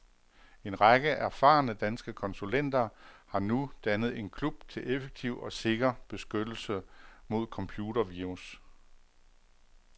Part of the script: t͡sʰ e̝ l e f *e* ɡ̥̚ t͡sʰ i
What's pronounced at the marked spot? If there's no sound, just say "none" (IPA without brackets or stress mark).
e